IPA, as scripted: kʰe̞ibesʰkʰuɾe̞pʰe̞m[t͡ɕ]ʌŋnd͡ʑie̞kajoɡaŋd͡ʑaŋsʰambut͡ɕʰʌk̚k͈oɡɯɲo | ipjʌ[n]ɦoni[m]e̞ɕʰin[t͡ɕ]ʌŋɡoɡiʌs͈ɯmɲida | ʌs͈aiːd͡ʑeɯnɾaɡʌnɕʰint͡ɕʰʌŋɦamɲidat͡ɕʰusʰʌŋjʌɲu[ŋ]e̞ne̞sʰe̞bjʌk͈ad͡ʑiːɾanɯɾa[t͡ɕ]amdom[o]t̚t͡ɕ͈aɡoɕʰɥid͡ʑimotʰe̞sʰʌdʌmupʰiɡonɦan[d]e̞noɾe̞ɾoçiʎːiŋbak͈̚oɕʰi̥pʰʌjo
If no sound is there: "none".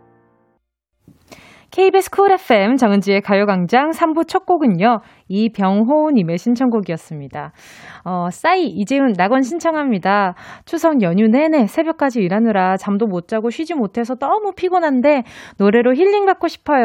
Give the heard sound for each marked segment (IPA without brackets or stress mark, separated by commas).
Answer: t͡ɕ, ŋ, m, t͡ɕʰ, n, t͡ɕ, o, d